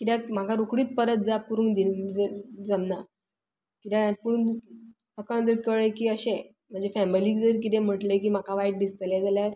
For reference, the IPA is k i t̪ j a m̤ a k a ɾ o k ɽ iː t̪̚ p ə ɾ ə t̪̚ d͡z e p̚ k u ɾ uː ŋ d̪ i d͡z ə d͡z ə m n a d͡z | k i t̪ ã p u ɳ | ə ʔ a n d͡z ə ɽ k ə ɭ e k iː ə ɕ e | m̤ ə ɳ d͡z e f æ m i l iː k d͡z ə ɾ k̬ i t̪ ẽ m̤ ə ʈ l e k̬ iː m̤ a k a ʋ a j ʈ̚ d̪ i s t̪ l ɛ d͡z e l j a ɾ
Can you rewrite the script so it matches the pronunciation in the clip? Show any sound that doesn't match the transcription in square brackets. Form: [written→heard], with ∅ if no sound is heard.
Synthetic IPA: k i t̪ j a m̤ a k a ɾ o k ɽ iː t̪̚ p ə ɾ ə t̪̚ d͡z [e→a] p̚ k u ɾ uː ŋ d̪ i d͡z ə d͡z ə m n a [d͡z→∅] | k i t̪ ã p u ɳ | ə [ʔ→k] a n d͡z ə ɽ k ə ɭ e k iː ə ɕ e | m̤ ə ɳ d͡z e f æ m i l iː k d͡z ə ɾ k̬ i t̪ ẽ m̤ ə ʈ l e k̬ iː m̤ a k a ʋ a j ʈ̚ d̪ i s t̪ l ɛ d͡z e l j a ɾ